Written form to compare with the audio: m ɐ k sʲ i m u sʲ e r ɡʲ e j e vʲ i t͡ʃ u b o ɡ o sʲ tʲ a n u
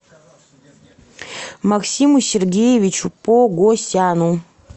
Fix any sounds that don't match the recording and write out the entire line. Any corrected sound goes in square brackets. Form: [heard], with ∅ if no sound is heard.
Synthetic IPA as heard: m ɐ k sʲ i m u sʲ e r ɡʲ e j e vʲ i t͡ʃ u [p] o ɡ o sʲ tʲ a n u